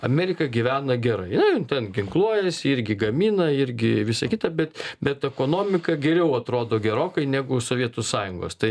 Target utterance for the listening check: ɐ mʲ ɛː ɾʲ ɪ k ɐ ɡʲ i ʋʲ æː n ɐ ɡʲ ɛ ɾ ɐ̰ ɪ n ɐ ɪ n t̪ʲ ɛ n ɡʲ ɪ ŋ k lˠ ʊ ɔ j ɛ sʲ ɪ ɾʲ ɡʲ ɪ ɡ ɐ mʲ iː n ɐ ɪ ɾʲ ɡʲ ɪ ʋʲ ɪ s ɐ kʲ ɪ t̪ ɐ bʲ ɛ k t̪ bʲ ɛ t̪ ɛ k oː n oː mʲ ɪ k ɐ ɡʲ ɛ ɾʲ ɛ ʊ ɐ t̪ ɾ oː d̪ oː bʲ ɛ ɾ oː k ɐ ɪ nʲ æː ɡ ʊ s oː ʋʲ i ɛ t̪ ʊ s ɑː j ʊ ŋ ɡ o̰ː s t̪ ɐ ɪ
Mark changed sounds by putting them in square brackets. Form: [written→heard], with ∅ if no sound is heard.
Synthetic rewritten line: ɐ mʲ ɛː ɾʲ ɪ k ɐ ɡʲ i ʋʲ æː n ɐ ɡʲ ɛ ɾ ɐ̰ ɪ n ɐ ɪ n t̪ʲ ɛ n ɡʲ ɪ ŋ k lˠ [ʊ→u] ɔ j ɛ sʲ ɪ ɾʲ ɡʲ ɪ ɡ ɐ mʲ iː n ɐ ɪ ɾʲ ɡʲ ɪ ʋʲ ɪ s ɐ kʲ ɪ t̪ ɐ bʲ ɛ [k→∅] t̪ bʲ ɛ t̪ ɛ k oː n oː mʲ ɪ k ɐ ɡʲ ɛ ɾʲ ɛ ʊ ɐ t̪ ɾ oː d̪ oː [bʲ→ɡʲ] ɛ ɾ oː k ɐ ɪ nʲ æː ɡ ʊ s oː ʋʲ i ɛ t̪ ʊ s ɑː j ʊ ŋ ɡ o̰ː s t̪ ɐ ɪ